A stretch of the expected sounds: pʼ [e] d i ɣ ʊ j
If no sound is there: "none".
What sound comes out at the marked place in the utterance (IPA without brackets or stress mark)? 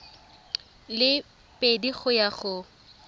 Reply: e